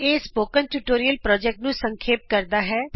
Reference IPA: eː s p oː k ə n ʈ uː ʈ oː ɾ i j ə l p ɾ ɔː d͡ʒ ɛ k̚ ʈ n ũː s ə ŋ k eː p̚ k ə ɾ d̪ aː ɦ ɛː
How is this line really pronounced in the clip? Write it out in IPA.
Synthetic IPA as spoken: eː s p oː k ə n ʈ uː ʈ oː ɾ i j ə l p ɾ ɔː d͡ʒ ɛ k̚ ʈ n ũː s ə ŋ kʰ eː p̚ k ə ɾ d̪ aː ɦ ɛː